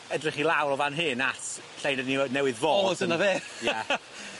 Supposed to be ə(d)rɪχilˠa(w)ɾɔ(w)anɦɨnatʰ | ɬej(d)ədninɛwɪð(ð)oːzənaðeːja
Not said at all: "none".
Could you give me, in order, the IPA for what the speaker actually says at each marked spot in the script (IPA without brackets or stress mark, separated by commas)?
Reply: d, w, v, n, v